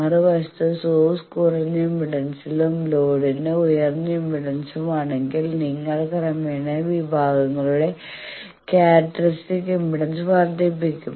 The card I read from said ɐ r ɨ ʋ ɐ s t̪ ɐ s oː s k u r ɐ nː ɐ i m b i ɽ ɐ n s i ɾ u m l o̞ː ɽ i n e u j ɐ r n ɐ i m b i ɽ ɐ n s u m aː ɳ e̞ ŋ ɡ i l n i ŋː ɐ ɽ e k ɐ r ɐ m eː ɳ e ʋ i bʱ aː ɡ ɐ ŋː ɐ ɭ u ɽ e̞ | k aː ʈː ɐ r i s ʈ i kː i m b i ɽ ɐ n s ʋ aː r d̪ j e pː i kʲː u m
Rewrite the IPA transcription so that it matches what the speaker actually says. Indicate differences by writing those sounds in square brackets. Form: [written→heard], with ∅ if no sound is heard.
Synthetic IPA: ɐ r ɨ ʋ ɐ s t̪ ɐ s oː s k u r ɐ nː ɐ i m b i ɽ ɐ n s i [ɾ→l] u m l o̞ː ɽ i n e u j ɐ r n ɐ i m b i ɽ ɐ n s u m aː ɳ e̞ ŋ ɡ i l n i ŋː ɐ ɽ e k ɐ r ɐ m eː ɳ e ʋ i bʱ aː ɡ ɐ ŋː ɐ ɭ u ɽ e̞ | k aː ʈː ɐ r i s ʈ i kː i m b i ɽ ɐ n s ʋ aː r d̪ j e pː i kʲː u m